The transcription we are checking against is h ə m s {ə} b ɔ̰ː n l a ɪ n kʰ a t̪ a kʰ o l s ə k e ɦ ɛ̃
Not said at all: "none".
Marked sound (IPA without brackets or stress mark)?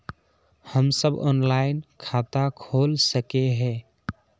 ə